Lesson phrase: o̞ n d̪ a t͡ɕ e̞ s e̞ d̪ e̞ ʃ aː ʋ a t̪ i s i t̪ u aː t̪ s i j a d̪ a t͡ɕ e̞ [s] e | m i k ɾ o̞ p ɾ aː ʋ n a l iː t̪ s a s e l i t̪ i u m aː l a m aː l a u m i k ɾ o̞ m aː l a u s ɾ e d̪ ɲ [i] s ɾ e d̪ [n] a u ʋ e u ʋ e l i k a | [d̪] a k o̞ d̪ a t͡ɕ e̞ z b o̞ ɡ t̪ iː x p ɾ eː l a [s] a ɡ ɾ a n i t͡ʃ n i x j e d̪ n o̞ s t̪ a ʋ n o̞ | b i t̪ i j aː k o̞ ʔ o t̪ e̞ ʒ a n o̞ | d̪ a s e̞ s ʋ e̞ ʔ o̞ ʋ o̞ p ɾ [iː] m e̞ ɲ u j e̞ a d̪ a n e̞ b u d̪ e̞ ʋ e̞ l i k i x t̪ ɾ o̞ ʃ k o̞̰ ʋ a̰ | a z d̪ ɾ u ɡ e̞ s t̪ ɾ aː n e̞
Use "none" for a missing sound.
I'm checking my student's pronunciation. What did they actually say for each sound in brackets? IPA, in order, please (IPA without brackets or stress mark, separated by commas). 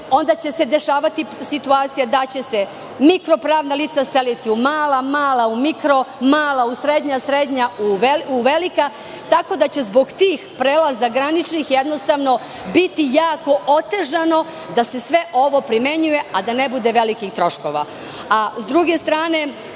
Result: s, a, ɲ, t̪, z, i